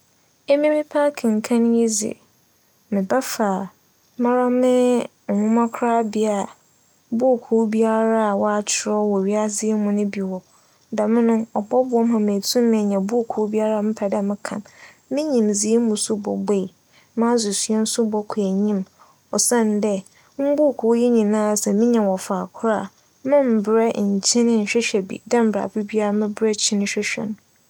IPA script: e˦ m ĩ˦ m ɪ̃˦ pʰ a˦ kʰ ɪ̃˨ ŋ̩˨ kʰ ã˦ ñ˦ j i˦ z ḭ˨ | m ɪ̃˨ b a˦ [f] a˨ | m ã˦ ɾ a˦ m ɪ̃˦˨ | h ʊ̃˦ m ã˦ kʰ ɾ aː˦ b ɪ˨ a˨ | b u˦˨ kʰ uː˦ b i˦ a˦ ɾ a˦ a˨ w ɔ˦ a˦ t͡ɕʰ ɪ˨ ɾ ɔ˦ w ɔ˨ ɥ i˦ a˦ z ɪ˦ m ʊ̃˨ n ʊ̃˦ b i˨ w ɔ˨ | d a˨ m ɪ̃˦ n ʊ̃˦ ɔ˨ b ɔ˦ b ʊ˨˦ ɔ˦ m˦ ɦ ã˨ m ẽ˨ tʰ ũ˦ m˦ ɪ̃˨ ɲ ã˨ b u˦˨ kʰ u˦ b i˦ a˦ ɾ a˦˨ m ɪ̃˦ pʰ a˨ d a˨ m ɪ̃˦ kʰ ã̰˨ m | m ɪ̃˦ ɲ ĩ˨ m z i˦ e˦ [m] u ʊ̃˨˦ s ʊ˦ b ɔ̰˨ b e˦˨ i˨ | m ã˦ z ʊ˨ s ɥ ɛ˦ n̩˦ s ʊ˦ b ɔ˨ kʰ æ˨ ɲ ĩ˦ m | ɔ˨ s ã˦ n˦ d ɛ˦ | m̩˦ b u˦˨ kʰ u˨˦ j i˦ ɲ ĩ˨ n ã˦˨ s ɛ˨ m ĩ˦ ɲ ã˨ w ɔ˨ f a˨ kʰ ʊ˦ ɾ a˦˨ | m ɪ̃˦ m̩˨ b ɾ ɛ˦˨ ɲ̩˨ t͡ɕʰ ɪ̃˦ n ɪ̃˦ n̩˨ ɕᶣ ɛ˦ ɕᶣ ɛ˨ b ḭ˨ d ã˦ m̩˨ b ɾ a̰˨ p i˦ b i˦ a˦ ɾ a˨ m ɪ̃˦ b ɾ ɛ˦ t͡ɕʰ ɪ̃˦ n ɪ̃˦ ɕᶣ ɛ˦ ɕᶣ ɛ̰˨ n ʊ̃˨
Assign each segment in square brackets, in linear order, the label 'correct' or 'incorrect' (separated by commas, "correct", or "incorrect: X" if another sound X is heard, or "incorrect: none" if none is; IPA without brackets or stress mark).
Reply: correct, correct